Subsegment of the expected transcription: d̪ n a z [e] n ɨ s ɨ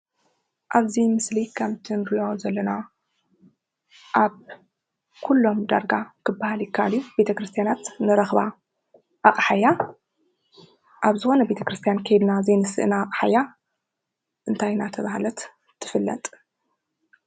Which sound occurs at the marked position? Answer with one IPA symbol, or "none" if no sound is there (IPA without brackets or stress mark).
e